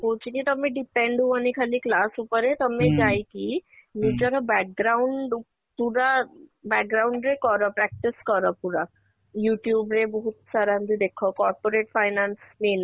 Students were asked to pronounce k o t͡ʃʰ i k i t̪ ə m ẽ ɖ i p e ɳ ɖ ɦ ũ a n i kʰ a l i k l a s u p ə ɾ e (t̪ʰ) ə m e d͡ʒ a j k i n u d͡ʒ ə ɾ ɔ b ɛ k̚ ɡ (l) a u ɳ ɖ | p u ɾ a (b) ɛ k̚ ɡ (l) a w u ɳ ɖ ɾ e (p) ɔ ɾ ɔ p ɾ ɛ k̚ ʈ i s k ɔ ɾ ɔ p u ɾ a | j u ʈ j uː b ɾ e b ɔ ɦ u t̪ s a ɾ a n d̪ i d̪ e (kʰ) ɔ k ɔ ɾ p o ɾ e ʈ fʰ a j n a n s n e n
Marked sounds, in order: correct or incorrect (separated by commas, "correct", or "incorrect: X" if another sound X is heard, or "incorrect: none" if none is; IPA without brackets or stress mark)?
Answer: incorrect: t̪, incorrect: ɾ, correct, incorrect: ɾ, incorrect: k, correct